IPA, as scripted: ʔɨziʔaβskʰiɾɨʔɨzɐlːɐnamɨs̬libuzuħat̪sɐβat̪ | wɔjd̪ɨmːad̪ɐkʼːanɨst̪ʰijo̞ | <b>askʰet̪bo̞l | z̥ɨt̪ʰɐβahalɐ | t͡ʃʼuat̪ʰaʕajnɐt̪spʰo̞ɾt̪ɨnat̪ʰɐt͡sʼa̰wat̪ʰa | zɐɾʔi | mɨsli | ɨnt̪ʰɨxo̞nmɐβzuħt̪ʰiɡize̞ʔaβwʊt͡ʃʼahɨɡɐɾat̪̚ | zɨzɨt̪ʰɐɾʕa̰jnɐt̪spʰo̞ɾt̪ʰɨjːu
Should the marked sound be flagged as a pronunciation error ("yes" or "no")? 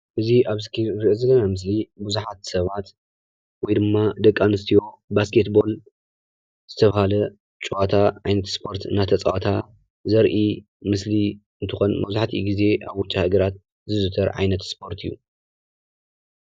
no